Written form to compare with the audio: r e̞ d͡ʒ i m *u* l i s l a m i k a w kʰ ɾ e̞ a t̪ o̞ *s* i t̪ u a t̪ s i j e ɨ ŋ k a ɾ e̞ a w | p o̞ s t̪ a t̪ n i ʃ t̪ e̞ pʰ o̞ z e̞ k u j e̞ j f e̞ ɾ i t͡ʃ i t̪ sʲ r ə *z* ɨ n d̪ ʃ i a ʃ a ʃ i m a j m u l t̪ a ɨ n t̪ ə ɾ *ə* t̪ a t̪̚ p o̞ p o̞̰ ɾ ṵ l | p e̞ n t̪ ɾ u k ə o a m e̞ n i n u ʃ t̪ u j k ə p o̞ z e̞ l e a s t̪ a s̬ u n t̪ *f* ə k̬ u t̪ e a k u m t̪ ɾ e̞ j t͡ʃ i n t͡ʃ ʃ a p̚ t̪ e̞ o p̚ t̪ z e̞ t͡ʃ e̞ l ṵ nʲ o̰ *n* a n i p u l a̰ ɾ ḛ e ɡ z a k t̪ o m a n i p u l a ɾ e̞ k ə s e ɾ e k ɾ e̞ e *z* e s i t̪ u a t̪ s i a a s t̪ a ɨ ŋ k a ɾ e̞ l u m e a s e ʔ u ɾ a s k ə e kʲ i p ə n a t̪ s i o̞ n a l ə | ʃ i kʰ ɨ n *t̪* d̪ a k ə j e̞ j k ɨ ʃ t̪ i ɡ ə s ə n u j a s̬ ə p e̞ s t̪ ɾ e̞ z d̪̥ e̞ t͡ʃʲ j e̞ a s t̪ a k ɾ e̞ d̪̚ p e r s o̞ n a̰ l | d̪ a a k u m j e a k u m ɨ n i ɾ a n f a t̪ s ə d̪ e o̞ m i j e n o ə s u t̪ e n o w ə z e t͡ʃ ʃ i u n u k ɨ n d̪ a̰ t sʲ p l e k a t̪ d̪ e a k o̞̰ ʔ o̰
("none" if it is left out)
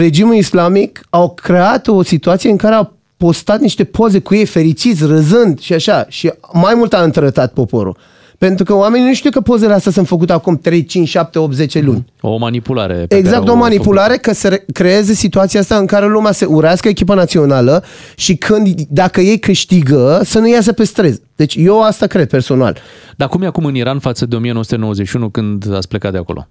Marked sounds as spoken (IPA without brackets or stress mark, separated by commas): u, s, z, ə, f, m, z, d̪